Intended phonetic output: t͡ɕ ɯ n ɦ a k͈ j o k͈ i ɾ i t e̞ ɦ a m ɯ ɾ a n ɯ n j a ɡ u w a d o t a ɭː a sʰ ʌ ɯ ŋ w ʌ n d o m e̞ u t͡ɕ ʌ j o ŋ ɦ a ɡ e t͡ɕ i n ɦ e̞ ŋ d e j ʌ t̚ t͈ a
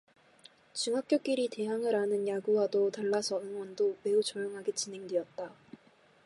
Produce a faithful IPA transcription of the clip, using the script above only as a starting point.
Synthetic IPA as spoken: t͡ɕ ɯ ŋ ɦ a k͈ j o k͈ i ɾ i t e̞ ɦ a ŋ ɯ ɾ a n ɯ n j a ɡ u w a d o t a ɭː a sʰ ʌ ɯ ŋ w ʌ n d o m e̞ u t͡ɕ ʌ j o ŋ ɦ a ɡ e t͡ɕ i n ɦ e̞ ŋ d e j ʌ t̚ t͈ a